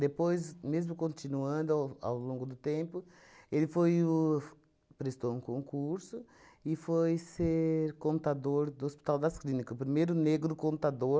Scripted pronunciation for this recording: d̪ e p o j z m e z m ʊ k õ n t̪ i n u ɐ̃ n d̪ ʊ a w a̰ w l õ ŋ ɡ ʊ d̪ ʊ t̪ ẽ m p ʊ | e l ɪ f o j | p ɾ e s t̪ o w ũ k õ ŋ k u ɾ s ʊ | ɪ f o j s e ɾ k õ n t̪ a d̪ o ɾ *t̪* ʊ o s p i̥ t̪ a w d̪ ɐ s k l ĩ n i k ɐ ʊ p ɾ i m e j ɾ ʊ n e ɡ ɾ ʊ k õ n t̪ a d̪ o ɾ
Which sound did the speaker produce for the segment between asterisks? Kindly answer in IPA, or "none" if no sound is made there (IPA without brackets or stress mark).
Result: d̪